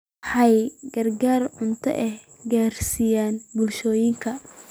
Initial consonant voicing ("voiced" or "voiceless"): voiceless